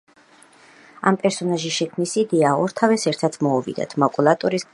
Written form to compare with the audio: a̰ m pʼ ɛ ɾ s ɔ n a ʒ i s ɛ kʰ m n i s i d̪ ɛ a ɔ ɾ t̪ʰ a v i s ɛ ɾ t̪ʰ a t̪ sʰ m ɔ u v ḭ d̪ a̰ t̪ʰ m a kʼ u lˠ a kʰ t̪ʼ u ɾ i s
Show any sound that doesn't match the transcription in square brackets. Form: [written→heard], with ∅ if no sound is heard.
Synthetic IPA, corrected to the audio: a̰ m pʼ ɛ ɾ s ɔ n a ʒ i [s→ʃ] ɛ kʰ m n i s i d̪ ɛ a ɔ ɾ t̪ʰ a v [i→ɛ] s ɛ ɾ t̪ʰ a t̪ sʰ m ɔ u v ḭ d̪ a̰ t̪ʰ m a kʼ u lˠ a [kʰ→∅] t̪ʼ u ɾ i s